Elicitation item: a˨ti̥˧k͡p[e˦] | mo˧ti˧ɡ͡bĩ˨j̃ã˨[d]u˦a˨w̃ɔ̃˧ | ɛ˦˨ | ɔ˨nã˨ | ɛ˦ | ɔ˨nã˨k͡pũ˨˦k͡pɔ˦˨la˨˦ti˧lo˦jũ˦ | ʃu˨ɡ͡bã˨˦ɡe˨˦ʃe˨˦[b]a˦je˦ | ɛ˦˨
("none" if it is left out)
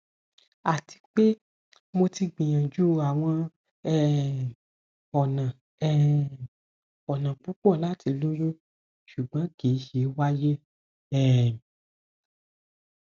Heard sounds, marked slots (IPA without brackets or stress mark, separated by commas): e˦, d͡ʒ, w